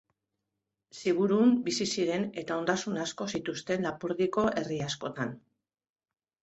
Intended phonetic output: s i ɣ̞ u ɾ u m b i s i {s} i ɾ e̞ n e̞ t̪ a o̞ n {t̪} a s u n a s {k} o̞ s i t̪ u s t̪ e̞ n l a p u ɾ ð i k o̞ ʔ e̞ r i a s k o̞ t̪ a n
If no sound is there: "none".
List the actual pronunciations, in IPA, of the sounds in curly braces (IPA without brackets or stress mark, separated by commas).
s, d̪, k